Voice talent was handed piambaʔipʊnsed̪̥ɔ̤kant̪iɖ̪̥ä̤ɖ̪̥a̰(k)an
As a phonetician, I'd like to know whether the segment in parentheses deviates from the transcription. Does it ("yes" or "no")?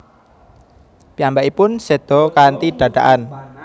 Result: yes